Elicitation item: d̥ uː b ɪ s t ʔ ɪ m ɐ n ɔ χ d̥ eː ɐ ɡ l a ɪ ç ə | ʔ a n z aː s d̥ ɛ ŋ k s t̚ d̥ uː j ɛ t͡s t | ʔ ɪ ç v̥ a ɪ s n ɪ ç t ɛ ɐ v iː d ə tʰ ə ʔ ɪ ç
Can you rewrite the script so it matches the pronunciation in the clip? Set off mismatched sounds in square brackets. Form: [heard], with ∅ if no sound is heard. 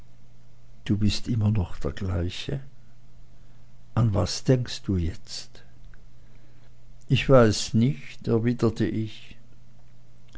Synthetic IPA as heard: d̥ uː b ɪ s t ʔ ɪ m ɐ n ɔ χ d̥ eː ɐ ɡ l a ɪ ç ə | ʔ a n [v] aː s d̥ ɛ ŋ k s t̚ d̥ uː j ɛ t͡s t | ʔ ɪ ç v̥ a ɪ s n ɪ ç t ɛ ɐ v iː d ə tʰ ə ʔ ɪ ç